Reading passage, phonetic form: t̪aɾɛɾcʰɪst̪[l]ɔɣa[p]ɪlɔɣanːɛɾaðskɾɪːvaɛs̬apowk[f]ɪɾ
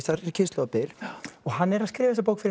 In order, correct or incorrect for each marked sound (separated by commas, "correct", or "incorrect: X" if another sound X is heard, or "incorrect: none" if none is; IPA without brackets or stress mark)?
correct, correct, correct